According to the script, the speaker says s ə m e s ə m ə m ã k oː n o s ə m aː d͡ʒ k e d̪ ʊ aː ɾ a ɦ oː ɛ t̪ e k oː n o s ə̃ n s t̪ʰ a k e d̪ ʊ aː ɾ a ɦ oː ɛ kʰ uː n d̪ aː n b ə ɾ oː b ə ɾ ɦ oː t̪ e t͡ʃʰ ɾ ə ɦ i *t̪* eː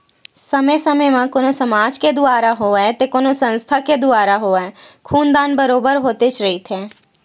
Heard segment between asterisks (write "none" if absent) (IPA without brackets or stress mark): t̪ʰ